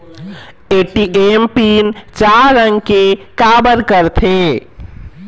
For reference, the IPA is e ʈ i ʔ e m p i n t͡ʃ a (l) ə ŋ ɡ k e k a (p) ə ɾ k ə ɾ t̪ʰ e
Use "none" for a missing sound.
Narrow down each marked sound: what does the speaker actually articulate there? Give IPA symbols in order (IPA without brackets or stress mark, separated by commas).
ɾ, b